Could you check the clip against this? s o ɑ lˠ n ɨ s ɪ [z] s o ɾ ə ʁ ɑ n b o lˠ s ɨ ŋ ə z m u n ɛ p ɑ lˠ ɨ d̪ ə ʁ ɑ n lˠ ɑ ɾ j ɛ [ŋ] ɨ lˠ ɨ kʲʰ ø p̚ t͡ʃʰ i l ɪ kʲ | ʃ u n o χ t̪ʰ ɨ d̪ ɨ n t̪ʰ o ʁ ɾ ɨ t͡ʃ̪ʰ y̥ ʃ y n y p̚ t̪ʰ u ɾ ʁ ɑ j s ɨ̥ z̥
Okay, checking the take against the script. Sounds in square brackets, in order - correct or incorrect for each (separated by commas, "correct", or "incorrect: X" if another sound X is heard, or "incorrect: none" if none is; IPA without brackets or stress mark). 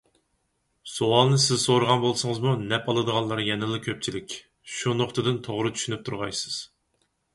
correct, incorrect: n